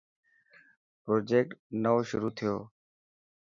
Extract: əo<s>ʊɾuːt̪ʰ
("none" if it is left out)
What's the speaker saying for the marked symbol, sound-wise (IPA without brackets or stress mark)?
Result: ʃ